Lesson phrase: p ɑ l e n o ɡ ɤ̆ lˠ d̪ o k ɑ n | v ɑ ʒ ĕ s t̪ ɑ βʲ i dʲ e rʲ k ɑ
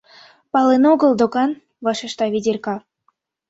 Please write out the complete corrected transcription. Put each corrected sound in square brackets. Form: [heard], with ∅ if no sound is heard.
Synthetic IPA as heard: p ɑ l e n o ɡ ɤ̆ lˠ d̪ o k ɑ n | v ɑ [ʃ] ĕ [ʃ] t̪ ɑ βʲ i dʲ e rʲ k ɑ